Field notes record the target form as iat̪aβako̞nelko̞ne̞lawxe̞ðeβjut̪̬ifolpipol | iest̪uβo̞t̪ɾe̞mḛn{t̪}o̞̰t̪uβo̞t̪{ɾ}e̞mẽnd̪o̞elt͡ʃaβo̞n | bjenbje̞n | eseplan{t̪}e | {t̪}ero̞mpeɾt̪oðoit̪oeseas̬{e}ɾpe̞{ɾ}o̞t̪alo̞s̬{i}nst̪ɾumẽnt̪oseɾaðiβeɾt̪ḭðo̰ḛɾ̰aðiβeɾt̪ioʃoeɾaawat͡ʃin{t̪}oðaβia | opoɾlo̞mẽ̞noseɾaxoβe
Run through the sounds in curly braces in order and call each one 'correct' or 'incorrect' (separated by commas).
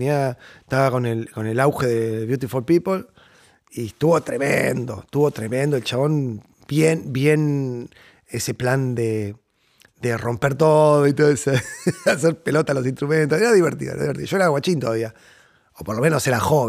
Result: incorrect, correct, incorrect, incorrect, correct, incorrect, correct, correct